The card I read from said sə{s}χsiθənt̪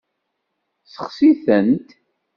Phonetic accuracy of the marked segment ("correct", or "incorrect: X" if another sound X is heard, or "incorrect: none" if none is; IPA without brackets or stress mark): incorrect: none